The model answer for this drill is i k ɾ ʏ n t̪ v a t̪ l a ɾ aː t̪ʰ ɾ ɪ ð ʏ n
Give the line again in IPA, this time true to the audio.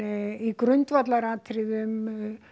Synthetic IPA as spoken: i k ɾ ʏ n t̪ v a t̪ l a ɾ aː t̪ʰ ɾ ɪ ð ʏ m